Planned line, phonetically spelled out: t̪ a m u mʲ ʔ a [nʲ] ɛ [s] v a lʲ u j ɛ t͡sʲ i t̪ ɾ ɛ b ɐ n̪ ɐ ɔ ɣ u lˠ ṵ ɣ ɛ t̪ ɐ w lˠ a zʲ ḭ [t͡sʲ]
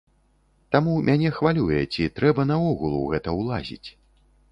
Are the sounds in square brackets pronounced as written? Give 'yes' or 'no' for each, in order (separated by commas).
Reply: yes, no, yes